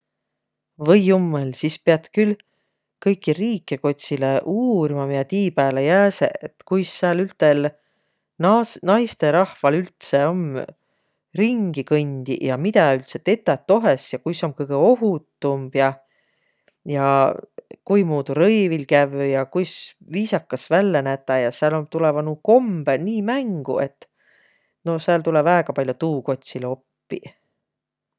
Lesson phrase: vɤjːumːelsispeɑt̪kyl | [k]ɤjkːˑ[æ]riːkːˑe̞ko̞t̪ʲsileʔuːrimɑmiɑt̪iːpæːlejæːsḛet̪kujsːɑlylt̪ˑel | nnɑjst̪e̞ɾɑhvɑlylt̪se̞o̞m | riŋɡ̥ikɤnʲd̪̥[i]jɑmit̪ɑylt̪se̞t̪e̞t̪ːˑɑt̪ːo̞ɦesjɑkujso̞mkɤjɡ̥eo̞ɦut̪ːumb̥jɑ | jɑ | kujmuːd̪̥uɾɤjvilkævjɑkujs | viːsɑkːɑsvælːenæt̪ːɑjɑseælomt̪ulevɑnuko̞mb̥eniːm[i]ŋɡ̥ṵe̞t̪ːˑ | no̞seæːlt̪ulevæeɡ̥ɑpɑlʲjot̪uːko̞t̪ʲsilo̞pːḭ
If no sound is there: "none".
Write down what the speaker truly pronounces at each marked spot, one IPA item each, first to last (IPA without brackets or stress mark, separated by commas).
k, i, i, æ